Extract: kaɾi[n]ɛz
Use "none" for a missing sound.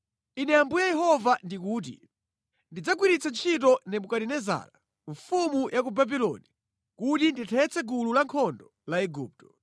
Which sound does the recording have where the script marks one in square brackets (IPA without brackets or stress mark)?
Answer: n